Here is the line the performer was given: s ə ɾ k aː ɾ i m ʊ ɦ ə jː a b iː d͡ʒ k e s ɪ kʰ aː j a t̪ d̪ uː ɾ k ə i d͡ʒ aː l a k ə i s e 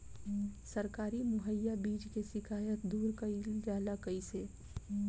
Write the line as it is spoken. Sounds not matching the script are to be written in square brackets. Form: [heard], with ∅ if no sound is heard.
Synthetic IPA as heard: s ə ɾ k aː ɾ i m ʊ ɦ ə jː a b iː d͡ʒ k e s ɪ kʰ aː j [ə] t̪ d̪ uː ɾ k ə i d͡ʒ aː l a k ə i s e